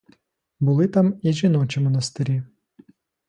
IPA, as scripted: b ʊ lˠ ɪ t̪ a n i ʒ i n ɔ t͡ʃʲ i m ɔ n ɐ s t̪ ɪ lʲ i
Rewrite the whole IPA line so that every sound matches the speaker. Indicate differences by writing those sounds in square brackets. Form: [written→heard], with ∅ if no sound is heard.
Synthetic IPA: b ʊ lˠ ɪ t̪ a [n→m] i ʒ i n ɔ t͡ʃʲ i m ɔ n ɐ s t̪ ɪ [lʲ→ɾʲ] i